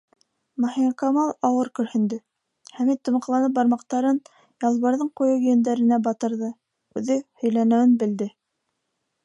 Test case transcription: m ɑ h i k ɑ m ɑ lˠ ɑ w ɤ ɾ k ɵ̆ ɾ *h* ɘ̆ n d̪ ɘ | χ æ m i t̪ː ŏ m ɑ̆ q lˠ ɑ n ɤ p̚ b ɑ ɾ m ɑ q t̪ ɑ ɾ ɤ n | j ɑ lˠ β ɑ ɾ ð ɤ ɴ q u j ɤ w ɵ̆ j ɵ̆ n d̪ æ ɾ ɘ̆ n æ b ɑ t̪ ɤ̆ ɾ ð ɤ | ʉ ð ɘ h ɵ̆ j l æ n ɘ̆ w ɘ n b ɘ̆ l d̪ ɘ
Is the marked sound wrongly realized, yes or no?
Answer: no